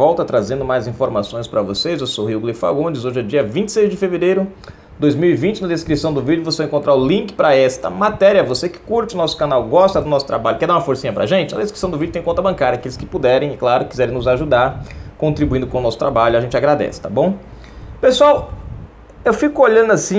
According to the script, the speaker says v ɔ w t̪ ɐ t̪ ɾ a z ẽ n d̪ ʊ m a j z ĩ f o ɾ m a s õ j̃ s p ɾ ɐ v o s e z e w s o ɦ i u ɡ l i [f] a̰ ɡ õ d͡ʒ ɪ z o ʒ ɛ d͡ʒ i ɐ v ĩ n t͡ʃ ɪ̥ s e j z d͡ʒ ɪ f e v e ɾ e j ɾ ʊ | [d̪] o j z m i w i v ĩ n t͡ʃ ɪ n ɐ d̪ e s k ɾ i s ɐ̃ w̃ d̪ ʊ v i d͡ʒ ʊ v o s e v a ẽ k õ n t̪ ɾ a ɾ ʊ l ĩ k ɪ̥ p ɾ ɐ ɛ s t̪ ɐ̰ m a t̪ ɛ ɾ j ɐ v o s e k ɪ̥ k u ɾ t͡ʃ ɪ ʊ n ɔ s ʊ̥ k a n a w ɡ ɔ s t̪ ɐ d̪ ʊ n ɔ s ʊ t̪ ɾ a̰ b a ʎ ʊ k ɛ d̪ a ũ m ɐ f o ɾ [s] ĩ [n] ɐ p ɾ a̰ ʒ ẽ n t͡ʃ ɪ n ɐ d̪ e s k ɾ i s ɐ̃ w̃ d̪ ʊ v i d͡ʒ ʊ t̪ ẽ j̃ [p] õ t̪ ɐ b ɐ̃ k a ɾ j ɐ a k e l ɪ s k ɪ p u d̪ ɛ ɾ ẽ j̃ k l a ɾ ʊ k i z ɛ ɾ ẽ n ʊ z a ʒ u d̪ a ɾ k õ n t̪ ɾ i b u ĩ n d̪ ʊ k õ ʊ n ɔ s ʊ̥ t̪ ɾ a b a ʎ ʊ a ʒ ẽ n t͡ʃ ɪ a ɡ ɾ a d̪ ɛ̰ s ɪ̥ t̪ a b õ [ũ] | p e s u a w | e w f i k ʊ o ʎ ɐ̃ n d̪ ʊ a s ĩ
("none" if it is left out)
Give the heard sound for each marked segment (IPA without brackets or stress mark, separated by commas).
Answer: f, d̪, s, ɲ, k, w̃